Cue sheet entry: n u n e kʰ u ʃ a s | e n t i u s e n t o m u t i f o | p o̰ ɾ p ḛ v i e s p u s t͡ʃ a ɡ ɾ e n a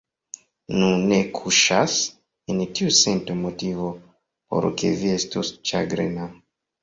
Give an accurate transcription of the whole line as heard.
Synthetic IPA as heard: n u n e kʰ u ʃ a s | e n t i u s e n t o m o t i v o | p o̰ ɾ k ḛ v i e s t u s t͡ʃ a ɡ ɾ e n a